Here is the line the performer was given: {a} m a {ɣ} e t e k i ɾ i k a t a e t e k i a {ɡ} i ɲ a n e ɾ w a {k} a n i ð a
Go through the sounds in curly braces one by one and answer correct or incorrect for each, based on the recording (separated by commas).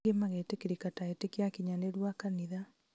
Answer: incorrect, correct, incorrect, correct